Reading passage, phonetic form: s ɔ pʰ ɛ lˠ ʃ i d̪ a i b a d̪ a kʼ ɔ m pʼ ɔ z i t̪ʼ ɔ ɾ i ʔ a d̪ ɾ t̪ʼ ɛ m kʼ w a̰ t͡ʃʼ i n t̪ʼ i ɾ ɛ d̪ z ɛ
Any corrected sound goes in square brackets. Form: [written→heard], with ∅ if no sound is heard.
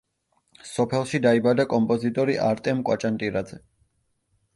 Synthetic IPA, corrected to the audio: s ɔ pʰ ɛ lˠ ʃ i d̪ a i b a d̪ a kʼ ɔ m pʼ ɔ z i t̪ʼ ɔ ɾ i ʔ a [d̪→∅] ɾ t̪ʼ ɛ m kʼ w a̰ t͡ʃʼ [i→a] n t̪ʼ i ɾ [ɛ→a] d̪ z ɛ

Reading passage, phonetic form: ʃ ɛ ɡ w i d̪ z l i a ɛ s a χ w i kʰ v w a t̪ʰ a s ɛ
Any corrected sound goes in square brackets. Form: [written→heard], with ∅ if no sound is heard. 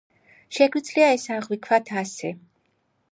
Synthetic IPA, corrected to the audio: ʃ ɛ ɡ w i d̪ z l i a ɛ s a [χ→ʁ] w i kʰ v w a t̪ʰ a s ɛ

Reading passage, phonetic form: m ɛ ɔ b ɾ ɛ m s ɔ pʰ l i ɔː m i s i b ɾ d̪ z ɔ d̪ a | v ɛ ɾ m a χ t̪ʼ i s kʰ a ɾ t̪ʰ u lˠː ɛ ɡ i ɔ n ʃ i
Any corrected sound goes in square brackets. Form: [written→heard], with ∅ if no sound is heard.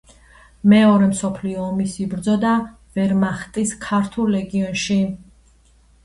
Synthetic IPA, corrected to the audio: m ɛ ɔ [b→∅] ɾ ɛ m s ɔ pʰ l i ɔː m i s i b ɾ d̪ z ɔ d̪ a | v ɛ ɾ m a χ t̪ʼ i s kʰ a ɾ t̪ʰ u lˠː ɛ ɡ i ɔ n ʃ i

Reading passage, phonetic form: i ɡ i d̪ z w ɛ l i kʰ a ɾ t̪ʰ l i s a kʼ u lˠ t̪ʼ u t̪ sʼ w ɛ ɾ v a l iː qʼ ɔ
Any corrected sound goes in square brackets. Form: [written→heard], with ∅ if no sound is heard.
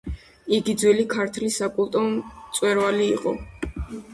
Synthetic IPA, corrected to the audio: i ɡ i d̪ z w ɛ l i kʰ a ɾ t̪ʰ l i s a kʼ u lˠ t̪ʼ [u→ɔ] t̪ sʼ w ɛ ɾ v a l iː qʼ ɔ

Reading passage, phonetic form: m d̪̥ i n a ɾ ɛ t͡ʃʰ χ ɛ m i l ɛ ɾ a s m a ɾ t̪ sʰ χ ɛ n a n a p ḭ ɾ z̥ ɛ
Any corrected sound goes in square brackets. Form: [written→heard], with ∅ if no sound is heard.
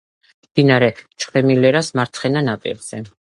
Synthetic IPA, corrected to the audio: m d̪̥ i n a ɾ ɛ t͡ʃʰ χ ɛ m i l ɛ ɾ a s m a ɾ t̪ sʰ χ ɛ n a n a [p→pʼ] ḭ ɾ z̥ ɛ

